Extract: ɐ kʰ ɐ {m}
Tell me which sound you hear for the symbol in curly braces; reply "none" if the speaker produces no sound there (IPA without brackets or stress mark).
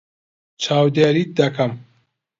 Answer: m